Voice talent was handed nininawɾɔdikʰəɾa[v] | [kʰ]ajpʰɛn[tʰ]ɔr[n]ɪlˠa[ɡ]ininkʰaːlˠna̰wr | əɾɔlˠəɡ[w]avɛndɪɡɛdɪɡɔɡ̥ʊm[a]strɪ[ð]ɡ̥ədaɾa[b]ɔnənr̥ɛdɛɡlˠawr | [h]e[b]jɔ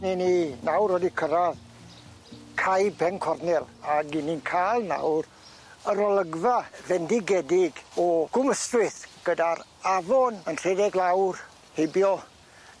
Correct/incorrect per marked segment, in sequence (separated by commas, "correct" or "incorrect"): incorrect, correct, incorrect, correct, correct, incorrect, incorrect, incorrect, incorrect, correct, correct